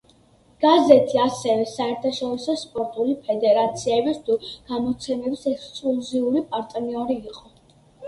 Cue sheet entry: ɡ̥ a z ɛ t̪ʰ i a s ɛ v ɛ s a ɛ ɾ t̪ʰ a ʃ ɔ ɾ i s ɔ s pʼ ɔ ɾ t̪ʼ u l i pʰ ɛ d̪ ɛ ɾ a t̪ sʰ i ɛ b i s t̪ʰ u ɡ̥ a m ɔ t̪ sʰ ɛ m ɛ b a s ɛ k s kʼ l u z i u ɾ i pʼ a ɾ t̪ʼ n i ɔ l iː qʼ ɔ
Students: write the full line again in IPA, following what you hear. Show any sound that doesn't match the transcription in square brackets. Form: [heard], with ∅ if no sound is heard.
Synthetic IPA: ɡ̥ a z ɛ t̪ʰ i a s ɛ v ɛ s a ɛ ɾ t̪ʰ a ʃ ɔ ɾ i s ɔ s pʼ ɔ ɾ t̪ʼ u l i pʰ ɛ d̪ ɛ ɾ a t̪ sʰ i ɛ b i s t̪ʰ u ɡ̥ a m ɔ t̪ sʰ ɛ m ɛ b [i] s ɛ k s kʼ l u z i u ɾ i pʼ a ɾ t̪ʼ n i ɔ [ɾ] iː qʼ ɔ

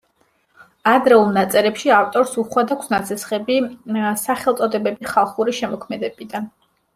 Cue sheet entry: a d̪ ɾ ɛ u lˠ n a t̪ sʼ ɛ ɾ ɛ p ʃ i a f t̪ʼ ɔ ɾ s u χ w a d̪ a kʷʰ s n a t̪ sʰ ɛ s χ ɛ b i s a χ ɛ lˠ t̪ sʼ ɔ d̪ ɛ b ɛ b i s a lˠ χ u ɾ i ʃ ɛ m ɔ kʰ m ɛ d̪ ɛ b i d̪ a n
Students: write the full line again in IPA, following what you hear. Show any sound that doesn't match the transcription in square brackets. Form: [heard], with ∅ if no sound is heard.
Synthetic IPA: a d̪ ɾ ɛ u lˠ n a t̪ sʼ ɛ ɾ ɛ p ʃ i a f t̪ʼ ɔ ɾ s u χ w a d̪ a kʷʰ s n a t̪ sʰ ɛ s χ ɛ b i s a χ ɛ lˠ t̪ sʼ ɔ d̪ ɛ b ɛ b i [χ] a lˠ χ u ɾ i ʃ ɛ m ɔ kʰ m ɛ d̪ ɛ b i d̪ a n

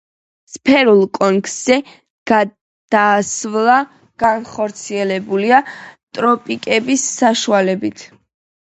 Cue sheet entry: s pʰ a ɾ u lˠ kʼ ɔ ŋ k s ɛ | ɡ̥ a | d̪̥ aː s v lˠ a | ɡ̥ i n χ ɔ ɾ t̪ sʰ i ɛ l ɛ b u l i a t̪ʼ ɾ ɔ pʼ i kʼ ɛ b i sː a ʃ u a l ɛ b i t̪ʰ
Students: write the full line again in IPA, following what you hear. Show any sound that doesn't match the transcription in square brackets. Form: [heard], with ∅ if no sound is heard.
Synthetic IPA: s pʰ [ɛ] ɾ u lˠ kʼ ɔ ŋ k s ɛ | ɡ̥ a | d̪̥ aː s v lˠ a | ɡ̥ [a] n χ ɔ ɾ t̪ sʰ i ɛ l ɛ b u l i a t̪ʼ ɾ ɔ pʼ i kʼ ɛ b i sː a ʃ u a l ɛ b i t̪ʰ

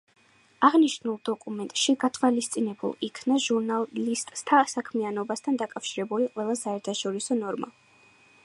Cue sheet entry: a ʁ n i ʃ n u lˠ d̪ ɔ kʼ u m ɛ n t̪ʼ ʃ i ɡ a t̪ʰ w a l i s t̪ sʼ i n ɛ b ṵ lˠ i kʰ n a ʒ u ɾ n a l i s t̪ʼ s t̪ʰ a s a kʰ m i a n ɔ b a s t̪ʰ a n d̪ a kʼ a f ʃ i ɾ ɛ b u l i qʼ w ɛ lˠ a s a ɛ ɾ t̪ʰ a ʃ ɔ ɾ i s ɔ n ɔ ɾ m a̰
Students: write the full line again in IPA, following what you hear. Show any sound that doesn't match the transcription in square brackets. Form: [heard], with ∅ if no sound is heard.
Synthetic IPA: a ʁ n i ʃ n u lˠ d̪ ɔ kʼ u m ɛ n t̪ʼ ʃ i ɡ a t̪ʰ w a l i s t̪ sʼ i n ɛ b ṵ lˠ i kʰ n a ʒ u ɾ n a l i s t̪ʼ s t̪ʰ a s a kʰ m i a n ɔ b a s t̪ʰ a n d̪ a kʼ a f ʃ i ɾ ɛ b u l i qʼ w ɛ lˠ a s a ɛ ɾ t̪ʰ a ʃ ɔ ɾ i s ɔ n ɔ ɾ m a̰

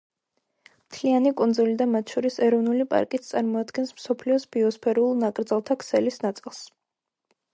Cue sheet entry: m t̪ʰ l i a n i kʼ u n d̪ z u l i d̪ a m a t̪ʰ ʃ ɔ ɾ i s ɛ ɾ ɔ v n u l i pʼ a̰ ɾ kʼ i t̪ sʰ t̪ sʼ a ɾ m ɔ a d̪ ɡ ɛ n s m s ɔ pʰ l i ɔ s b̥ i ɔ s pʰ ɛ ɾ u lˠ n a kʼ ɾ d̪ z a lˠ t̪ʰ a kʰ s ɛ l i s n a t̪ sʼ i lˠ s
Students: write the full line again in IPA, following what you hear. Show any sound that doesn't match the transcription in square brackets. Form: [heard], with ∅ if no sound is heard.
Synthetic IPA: m t̪ʰ l i a n i kʼ u n d̪ z u l i d̪ a m a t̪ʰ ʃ ɔ ɾ i s ɛ ɾ ɔ v n u l i pʼ a̰ ɾ kʼ i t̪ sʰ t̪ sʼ a ɾ m ɔ a d̪ ɡ ɛ n s m s ɔ pʰ l i ɔ s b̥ i ɔ s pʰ ɛ ɾ u lˠ n a kʼ ɾ d̪ z a lˠ t̪ʰ a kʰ s ɛ l i s n a t̪ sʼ i lˠ s

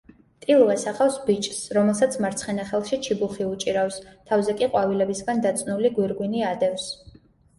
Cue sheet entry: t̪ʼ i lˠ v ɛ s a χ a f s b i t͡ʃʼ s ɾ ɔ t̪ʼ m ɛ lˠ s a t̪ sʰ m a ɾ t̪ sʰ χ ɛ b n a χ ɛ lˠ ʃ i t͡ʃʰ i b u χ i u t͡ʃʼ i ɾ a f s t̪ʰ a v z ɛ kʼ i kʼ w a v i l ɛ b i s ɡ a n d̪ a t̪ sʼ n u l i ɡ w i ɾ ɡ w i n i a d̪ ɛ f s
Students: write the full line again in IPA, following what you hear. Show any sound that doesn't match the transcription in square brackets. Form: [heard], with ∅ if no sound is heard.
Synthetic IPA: t̪ʼ i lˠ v ɛ s a χ a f s b i t͡ʃʼ s ɾ ɔ [∅] m ɛ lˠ s a t̪ sʰ m a ɾ t̪ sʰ χ ɛ [∅] n a χ ɛ lˠ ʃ i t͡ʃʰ i b u χ i u t͡ʃʼ i ɾ a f s t̪ʰ a v z ɛ kʼ i [qʼ] w a v i l ɛ b i s ɡ a n d̪ a t̪ sʼ n u l i ɡ w i ɾ ɡ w i n i a d̪ ɛ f s

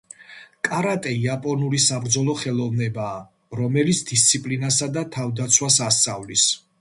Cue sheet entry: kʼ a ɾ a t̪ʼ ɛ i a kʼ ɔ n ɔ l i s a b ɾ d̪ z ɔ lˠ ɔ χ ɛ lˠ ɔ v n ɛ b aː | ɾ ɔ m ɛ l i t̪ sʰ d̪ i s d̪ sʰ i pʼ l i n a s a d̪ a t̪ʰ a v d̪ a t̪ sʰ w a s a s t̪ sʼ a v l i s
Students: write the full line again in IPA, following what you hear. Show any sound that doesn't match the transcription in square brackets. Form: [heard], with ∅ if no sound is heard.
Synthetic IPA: kʼ a ɾ a t̪ʼ ɛ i a [pʼ] ɔ n [u] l i s a b ɾ d̪ z ɔ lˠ ɔ χ ɛ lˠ ɔ v n ɛ b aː | ɾ ɔ m ɛ l i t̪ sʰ d̪ i s [t̪] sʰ i pʼ l i n a s a d̪ a t̪ʰ a v d̪ a t̪ sʰ w a s a s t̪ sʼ a v l i s

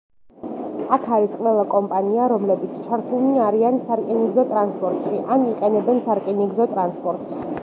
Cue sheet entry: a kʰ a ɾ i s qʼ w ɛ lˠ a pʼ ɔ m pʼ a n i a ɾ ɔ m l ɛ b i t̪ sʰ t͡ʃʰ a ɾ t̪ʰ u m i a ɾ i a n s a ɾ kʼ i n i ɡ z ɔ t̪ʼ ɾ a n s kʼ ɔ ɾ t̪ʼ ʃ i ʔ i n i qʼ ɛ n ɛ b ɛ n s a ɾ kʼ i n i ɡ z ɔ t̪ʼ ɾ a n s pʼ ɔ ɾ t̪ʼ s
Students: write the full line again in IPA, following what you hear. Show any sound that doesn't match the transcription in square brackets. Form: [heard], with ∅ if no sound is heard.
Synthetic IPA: a kʰ a ɾ i s qʼ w ɛ lˠ a [kʼ] ɔ m pʼ a n i a ɾ ɔ m l ɛ b i t̪ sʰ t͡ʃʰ a ɾ t̪ʰ u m i a ɾ i a n s a ɾ kʼ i n i ɡ z ɔ t̪ʼ ɾ a n s [pʼ] ɔ ɾ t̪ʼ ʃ i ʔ [a] n i qʼ ɛ n ɛ b ɛ n s a ɾ kʼ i n i ɡ z ɔ t̪ʼ ɾ a n s pʼ ɔ ɾ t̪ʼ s

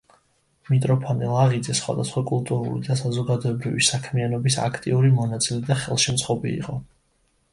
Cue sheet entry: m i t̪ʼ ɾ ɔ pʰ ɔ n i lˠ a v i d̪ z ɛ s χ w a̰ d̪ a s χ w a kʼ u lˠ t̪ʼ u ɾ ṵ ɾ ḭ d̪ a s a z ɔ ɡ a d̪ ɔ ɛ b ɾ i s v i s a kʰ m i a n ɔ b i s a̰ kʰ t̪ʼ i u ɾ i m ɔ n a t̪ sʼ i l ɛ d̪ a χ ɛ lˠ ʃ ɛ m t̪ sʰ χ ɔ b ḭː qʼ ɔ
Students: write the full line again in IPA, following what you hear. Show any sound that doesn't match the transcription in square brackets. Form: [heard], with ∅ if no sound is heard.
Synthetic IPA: m i t̪ʼ ɾ ɔ pʰ ɔ n i lˠ a [ʁ] i d̪ z ɛ s χ w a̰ d̪ a s χ w a kʼ u lˠ t̪ʼ u ɾ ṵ [l] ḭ d̪ a s a z ɔ ɡ a d̪ ɔ ɛ b ɾ i [∅] v i s a kʰ m i a n ɔ b i s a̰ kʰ t̪ʼ i u ɾ i m ɔ n a t̪ sʼ i l ɛ d̪ a χ ɛ lˠ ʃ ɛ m t̪ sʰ χ ɔ b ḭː qʼ ɔ

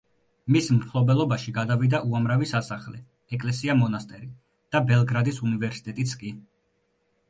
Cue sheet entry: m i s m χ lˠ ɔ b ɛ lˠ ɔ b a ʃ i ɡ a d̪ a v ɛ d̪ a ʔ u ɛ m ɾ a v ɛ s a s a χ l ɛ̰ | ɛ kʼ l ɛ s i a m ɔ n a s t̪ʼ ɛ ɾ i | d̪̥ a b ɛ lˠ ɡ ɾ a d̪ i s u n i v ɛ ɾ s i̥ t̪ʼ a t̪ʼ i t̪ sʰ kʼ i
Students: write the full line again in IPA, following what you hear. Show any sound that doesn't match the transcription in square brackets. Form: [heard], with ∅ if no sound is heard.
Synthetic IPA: m i s m χ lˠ ɔ b ɛ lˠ ɔ b a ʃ i ɡ a d̪ a v [i] d̪ a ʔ u [a] m ɾ a v [i] s a s a χ l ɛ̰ | ɛ kʼ l ɛ s i a m ɔ n a s t̪ʼ ɛ ɾ i | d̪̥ a b ɛ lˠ ɡ ɾ a d̪ i s u n i v ɛ ɾ s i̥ t̪ʼ [ɛ] t̪ʼ i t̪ sʰ kʼ i

